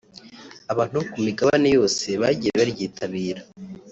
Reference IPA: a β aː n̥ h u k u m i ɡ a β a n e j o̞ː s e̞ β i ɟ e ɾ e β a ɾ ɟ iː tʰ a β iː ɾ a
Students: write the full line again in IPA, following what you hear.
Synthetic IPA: a β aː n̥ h u k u m i ɡ a β a n e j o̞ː s e̞ β a ɟ i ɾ e β a ɾ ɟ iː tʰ a β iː ɾ a